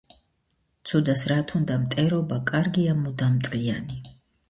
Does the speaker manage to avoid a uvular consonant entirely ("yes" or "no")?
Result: yes